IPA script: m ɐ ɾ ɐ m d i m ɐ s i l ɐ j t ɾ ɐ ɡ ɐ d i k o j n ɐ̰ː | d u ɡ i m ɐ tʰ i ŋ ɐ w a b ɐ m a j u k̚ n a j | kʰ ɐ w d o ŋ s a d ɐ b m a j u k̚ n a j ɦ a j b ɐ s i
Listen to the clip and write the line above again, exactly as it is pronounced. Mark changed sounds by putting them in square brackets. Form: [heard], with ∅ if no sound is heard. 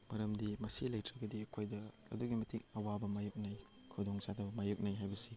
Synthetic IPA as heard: m ɐ ɾ ɐ m d i m ɐ s i l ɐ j t ɾ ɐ ɡ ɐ d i [kʰ] o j [d] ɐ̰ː | d u ɡ i m ɐ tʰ i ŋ ɐ w a b ɐ m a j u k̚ n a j | kʰ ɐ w d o ŋ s a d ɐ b m a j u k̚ n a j ɦ a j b ɐ s i